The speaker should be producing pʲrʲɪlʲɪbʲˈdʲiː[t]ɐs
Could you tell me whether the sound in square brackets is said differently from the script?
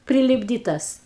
no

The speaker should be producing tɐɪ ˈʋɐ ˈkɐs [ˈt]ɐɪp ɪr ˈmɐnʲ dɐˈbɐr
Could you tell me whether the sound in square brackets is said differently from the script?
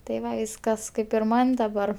yes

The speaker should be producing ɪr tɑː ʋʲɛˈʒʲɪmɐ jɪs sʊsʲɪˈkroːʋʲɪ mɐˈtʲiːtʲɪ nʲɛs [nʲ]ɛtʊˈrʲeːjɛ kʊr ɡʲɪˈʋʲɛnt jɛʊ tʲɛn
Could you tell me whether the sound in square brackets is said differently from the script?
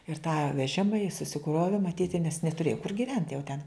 no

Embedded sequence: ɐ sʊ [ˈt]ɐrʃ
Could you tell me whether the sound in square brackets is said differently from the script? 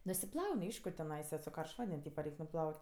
yes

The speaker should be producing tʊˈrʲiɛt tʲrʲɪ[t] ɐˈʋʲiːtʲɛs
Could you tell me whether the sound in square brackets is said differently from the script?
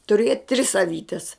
yes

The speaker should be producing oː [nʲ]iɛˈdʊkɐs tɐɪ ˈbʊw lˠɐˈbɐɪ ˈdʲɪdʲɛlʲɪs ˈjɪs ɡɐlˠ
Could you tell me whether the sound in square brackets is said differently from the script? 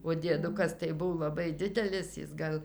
yes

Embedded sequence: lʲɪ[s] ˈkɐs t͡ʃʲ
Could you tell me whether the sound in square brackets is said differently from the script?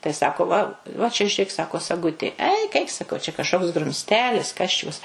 no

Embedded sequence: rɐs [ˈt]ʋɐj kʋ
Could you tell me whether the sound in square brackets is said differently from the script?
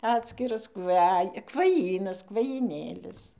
yes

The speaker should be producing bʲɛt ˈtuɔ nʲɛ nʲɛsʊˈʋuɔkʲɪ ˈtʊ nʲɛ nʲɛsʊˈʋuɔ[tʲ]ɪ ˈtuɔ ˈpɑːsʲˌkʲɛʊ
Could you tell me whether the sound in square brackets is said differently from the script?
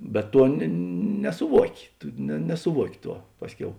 yes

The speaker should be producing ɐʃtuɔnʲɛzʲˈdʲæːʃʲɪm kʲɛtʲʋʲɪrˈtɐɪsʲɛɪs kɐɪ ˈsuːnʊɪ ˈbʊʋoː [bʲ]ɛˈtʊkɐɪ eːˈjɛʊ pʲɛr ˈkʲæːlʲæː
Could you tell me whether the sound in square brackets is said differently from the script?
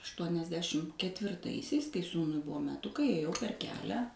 yes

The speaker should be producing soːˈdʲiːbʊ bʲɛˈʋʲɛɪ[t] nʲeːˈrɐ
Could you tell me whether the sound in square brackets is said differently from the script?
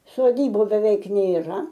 yes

